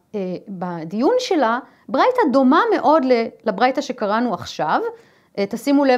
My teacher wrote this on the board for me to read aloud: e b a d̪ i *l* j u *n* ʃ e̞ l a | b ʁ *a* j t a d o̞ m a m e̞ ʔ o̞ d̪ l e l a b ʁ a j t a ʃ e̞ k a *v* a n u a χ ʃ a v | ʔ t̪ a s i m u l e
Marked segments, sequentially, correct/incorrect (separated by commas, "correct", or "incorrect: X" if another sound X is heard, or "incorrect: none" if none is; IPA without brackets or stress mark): incorrect: none, correct, correct, incorrect: ʁ